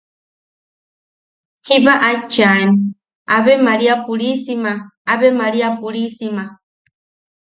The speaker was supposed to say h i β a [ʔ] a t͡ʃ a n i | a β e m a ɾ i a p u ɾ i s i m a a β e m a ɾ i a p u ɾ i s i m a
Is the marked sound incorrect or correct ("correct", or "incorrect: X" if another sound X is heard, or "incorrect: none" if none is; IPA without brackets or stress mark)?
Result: correct